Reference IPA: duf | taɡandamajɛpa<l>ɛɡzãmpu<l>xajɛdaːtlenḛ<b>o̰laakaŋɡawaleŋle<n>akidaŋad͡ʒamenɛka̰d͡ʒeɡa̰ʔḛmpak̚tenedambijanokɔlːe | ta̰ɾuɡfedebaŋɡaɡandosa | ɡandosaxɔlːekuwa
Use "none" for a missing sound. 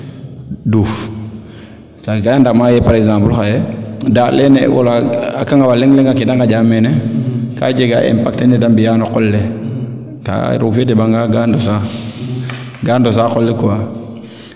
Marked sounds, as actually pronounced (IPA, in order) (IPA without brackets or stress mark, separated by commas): ɾ, l, w, ŋ